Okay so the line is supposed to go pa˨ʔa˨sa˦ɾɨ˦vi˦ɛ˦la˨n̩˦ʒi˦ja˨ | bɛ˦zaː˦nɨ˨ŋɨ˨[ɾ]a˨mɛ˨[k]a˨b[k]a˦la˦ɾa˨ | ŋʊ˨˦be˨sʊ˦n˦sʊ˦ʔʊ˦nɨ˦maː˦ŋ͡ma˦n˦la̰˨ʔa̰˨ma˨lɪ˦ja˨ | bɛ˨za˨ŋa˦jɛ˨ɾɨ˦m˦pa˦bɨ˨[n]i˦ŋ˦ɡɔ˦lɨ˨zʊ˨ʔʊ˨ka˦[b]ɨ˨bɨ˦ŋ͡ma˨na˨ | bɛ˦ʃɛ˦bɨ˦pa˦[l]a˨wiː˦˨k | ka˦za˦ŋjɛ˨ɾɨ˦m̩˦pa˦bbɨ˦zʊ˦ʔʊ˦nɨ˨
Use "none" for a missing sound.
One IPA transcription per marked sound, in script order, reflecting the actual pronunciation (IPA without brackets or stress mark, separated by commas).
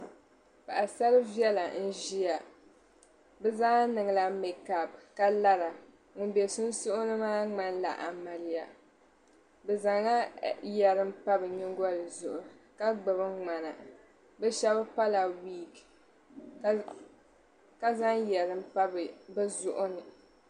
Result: l, k, k, ɲ, ɡ͡b, l